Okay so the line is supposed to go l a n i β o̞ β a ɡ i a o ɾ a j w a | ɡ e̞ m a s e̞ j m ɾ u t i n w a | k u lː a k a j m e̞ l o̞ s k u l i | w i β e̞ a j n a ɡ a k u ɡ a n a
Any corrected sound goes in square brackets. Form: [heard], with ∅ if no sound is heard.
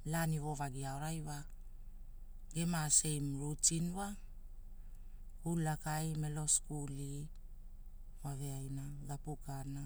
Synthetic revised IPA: l a n i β o̞ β a ɡ i a o ɾ a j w a | ɡ e̞ m a s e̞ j m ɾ u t i n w a | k u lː a k a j m e̞ l o̞ s k u l i | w [a] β e̞ a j n a ɡ a [p] u [k] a n a

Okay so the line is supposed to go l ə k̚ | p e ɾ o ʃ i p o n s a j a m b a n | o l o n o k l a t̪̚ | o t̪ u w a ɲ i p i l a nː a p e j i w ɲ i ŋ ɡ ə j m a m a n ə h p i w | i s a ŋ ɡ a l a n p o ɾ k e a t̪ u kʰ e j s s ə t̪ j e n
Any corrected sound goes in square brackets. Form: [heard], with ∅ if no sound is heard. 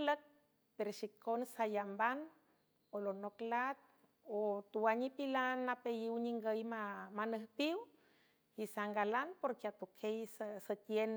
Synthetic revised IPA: l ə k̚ | p e ɾ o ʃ i [k] o n s a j a m b a n | o l o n o k l a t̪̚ | o t̪ u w a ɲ i p i l a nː a p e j i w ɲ i ŋ ɡ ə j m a m a n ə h p i w | i s a ŋ ɡ a l a n p o ɾ k e a t̪ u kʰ e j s s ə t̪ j e n

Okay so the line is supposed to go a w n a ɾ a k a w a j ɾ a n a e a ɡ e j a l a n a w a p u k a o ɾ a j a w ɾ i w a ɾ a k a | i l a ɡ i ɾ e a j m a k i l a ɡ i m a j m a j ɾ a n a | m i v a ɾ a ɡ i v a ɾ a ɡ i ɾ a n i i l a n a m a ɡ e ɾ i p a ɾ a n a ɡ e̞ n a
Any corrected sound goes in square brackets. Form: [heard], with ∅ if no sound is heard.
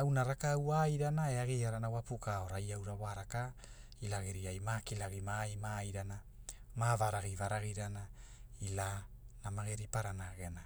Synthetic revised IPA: a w n a ɾ a k a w a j ɾ a n a e a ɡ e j a [ɾ] a n a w a p u k a o ɾ a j a w ɾ [a] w a ɾ a k a | i l a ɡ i ɾ [i] a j m a k i l a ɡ i m a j m a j ɾ a n a | m [a] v a ɾ a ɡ i v a ɾ a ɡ i ɾ a n [a] i l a n a m a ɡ e ɾ i p a ɾ a n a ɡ e̞ n a

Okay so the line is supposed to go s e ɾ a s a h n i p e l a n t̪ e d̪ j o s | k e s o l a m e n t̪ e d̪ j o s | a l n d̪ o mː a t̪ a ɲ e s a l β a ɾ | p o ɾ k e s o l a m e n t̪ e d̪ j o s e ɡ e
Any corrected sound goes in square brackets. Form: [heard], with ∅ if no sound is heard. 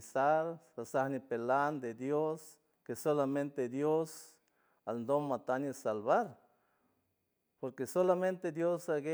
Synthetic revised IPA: s [a] ɾ a s a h n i p e l a n [d̪] e d̪ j o s | k e s o l a m e n t̪ e d̪ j o s | a l n d̪ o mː a t̪ a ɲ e s a l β a ɾ | p o ɾ k e s o l a m e n t̪ e d̪ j o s [a] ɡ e

